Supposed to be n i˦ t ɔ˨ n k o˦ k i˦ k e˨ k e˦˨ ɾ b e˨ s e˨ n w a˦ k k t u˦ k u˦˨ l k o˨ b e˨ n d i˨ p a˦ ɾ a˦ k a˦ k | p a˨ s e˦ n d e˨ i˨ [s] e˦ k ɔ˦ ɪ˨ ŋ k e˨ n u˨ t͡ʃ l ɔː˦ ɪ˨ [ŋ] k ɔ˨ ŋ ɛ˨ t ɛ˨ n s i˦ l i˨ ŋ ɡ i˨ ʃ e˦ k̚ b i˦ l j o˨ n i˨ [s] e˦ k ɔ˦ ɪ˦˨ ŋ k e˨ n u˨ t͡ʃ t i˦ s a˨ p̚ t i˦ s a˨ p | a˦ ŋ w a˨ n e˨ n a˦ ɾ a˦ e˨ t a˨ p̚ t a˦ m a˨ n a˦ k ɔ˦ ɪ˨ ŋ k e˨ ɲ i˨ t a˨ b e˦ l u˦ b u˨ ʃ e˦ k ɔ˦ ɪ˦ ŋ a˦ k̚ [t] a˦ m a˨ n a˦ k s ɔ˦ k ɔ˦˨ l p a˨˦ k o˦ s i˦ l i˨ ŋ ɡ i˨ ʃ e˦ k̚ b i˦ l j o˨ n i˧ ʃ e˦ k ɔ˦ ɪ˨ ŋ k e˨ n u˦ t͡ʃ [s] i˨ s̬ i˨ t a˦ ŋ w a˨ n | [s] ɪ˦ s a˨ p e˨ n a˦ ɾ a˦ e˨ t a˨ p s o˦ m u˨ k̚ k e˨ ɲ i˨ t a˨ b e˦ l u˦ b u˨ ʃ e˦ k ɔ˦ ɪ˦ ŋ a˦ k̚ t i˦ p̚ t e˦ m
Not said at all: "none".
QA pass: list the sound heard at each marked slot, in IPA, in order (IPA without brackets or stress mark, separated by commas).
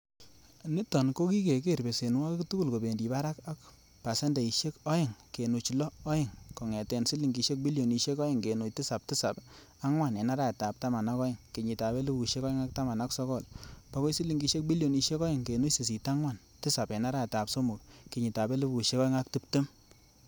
ʃ, ŋ, ʃ, t, s, t